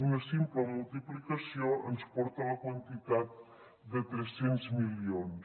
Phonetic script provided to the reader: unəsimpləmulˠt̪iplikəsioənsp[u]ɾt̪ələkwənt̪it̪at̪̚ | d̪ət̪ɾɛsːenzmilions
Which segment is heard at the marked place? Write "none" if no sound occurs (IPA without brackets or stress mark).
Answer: ɔ